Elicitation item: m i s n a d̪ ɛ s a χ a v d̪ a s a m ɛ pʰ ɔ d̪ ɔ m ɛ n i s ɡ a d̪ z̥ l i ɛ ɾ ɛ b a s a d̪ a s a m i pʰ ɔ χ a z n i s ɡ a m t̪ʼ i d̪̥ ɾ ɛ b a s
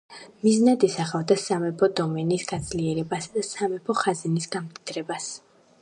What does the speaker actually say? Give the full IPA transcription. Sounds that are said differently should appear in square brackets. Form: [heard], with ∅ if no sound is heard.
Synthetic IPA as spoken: m i [z] n a d̪ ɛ s a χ a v d̪ a s a m ɛ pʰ ɔ d̪ ɔ m ɛ n i s ɡ a d̪ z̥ l i ɛ ɾ ɛ b a s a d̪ a s a m [ɛ] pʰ ɔ χ a z n i s ɡ a m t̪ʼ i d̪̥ ɾ ɛ b a s